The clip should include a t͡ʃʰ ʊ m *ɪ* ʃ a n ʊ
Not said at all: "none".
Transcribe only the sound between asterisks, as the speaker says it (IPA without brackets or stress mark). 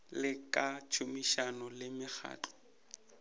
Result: i